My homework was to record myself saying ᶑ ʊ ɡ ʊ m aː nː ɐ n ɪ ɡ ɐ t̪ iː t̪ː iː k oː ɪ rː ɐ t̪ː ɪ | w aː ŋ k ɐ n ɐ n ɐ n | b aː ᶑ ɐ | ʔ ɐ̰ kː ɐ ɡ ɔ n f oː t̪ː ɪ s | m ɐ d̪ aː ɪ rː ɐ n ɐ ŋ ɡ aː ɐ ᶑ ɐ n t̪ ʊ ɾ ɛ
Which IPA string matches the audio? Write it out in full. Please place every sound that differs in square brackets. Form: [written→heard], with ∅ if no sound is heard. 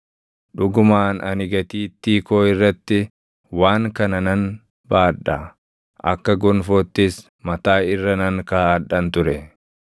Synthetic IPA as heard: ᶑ ʊ ɡ ʊ m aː [nː→n] ɐ n ɪ ɡ ɐ t̪ iː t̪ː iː k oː ɪ rː ɐ t̪ː ɪ | w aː ŋ k ɐ n ɐ n ɐ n | b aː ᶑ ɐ | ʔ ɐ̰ kː ɐ ɡ ɔ n f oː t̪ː ɪ s | m ɐ [d̪→t̪] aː ɪ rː ɐ n ɐ ŋ [ɡ→k] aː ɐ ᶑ ɐ n t̪ ʊ ɾ ɛ